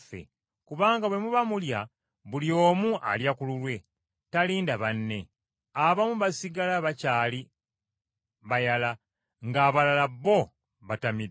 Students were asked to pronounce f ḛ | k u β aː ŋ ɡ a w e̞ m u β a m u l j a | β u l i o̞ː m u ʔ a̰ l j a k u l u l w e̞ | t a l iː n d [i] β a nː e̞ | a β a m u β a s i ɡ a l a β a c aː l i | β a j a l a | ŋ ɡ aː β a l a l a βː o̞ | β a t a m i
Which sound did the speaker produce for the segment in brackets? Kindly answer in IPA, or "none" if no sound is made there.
a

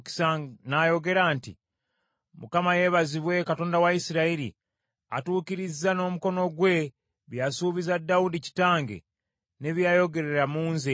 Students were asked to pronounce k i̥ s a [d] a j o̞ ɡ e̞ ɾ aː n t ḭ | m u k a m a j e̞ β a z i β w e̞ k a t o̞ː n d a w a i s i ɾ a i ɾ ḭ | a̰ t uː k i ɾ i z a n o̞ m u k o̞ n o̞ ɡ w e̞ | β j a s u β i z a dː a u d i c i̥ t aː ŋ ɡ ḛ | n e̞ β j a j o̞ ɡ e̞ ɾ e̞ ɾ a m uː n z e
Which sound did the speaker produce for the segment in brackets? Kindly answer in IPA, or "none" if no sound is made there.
n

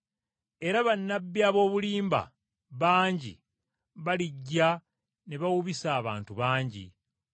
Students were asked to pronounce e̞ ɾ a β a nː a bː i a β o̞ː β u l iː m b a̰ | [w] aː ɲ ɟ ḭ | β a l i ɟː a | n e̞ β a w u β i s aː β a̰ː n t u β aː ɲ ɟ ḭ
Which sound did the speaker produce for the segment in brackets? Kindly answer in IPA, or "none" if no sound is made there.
β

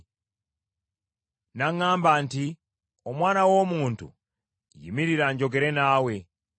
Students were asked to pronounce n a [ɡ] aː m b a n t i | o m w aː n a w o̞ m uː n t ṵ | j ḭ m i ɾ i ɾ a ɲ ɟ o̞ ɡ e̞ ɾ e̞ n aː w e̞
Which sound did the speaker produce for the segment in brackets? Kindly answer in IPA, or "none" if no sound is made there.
ŋ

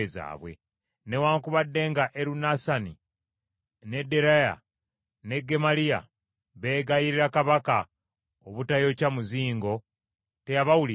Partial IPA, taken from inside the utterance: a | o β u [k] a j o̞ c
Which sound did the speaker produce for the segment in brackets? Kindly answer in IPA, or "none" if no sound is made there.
t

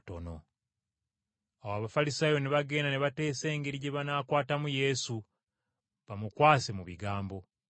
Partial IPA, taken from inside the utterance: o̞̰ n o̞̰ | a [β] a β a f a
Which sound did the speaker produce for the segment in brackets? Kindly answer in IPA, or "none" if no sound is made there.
w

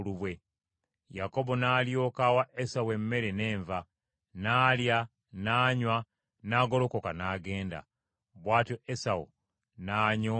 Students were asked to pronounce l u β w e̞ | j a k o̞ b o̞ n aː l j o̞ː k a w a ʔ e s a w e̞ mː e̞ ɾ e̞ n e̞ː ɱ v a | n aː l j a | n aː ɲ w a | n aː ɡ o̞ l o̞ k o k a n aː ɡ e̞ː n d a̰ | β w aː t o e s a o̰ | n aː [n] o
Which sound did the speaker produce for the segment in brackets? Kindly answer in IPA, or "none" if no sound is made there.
ɲ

